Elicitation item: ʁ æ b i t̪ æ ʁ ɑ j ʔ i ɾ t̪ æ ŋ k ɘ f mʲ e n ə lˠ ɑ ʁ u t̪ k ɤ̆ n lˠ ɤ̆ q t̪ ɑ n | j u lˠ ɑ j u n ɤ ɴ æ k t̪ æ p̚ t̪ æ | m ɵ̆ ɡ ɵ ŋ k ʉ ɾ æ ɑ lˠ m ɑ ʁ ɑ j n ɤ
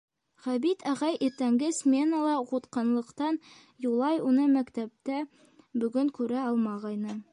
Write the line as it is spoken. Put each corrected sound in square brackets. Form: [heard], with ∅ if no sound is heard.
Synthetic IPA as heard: ʁ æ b i t̪ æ ʁ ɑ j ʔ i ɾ t̪ æ ŋ [ɡ] ɘ [s] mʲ e n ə lˠ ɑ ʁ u t̪ [q] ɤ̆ n lˠ ɤ̆ q t̪ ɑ n | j u lˠ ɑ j u n ɤ [m] æ k t̪ æ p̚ t̪ æ | [b] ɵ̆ ɡ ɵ ŋ k ʉ ɾ æ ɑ lˠ m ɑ ʁ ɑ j n ɤ